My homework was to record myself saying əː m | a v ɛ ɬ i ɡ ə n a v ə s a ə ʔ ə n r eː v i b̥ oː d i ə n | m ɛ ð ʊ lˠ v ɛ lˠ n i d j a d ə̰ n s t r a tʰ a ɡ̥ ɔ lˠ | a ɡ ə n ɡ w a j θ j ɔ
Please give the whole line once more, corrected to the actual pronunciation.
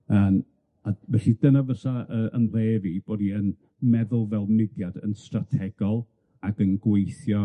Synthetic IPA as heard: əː m | a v ɛ ɬ i d ə n a v ə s a ə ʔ ə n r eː v i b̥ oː d i ə n | m ɛ ð ʊ lˠ v ɛ lˠ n ɪ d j a d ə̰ n s t r a tʰ ɛ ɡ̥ ɔ lˠ | a ɡ ə n ɡ w e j θ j ɔ